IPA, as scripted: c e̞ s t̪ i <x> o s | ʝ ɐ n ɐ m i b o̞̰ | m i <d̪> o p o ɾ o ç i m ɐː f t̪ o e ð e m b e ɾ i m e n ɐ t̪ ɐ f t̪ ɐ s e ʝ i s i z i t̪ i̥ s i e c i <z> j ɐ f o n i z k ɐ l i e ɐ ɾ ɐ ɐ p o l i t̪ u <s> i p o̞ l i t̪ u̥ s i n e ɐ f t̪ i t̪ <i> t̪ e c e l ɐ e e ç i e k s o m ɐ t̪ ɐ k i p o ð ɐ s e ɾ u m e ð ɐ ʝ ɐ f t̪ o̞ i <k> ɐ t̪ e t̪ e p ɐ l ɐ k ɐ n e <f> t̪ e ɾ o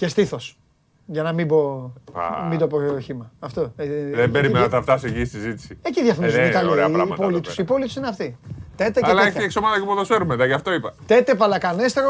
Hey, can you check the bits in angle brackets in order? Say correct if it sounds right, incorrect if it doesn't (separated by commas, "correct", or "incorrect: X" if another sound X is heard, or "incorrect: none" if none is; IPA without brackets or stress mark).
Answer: incorrect: θ, correct, incorrect: ð, correct, incorrect: e, incorrect: p, incorrect: s